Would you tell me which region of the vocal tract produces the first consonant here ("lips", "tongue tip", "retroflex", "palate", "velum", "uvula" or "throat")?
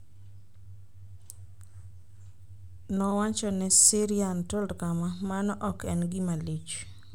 tongue tip